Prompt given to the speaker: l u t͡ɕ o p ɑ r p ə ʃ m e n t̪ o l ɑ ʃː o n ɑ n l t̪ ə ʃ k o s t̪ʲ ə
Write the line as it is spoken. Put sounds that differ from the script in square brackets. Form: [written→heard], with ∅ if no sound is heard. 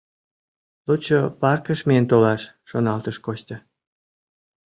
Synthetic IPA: l u t͡ɕ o p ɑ r [p→k] ə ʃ m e n t̪ o l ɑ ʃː o n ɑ [n→∅] l t̪ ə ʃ k o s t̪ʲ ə